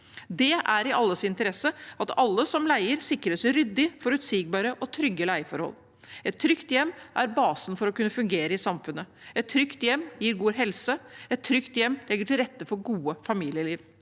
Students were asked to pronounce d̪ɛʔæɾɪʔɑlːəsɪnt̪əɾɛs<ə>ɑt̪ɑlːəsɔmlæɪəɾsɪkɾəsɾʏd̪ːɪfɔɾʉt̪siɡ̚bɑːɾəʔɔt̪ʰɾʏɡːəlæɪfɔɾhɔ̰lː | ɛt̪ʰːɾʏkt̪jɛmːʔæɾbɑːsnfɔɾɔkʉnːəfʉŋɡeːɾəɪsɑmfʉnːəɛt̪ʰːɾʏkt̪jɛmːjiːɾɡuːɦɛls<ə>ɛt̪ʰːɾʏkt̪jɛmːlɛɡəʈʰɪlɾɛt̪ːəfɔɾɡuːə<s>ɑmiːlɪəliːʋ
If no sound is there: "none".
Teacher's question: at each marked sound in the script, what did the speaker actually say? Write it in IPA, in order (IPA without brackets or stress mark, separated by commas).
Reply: ə, ə, f